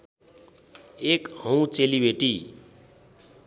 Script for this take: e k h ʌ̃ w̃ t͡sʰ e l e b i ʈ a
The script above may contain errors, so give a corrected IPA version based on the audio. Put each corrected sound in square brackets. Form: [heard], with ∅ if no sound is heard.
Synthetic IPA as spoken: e k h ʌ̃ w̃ [t͡s] e l [i] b [e] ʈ [i]